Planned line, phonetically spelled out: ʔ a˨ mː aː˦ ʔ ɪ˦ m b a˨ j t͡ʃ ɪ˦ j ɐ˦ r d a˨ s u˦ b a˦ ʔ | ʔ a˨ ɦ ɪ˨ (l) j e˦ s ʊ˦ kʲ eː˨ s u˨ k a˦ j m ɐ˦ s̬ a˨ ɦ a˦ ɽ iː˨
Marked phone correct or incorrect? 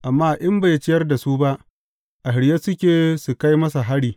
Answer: incorrect